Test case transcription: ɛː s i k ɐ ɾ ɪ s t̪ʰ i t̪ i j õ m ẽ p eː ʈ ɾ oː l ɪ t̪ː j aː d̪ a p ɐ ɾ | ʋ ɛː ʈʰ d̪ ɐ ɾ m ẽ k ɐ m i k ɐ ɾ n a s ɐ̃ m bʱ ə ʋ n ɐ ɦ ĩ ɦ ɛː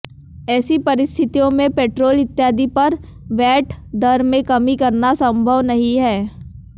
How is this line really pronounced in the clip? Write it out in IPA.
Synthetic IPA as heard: ɛː s i p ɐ ɾ ɪ s t̪ʰ ɪ t̪ i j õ m ẽ p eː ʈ ɾ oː l ɪ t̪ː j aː d̪ i p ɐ ɾ | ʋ ɛː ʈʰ d̪ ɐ ɾ m ẽ k ɐ m i k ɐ ɾ n a s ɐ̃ m bʱ ə ʋ n ɐ ɦ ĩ ɦ ɛː